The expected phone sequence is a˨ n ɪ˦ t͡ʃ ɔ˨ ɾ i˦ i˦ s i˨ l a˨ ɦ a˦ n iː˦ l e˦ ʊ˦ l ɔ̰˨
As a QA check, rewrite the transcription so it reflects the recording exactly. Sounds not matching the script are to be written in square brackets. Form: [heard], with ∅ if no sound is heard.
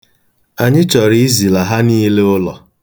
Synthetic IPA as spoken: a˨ [ɲ] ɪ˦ t͡ʃ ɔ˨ ɾ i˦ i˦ [z] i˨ l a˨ ɦ a˦ n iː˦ l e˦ ʊ˦ l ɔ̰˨